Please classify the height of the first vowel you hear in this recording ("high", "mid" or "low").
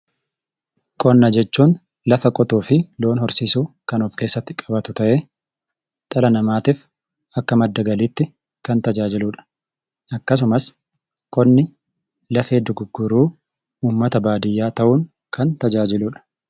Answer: mid